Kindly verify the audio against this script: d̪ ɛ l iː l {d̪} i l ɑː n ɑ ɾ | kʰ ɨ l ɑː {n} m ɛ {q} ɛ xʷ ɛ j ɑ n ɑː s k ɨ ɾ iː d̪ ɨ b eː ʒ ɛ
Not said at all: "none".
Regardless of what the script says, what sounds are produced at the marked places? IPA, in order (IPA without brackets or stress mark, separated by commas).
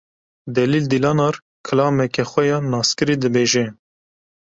d̪, none, k